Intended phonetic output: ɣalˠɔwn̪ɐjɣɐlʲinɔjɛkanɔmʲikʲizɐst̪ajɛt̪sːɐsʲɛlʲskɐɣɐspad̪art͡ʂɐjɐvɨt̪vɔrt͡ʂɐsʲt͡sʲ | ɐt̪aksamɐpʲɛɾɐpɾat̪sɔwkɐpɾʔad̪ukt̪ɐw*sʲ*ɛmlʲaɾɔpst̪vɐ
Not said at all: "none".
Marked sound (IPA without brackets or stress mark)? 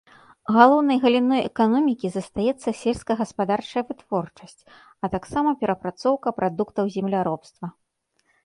zʲ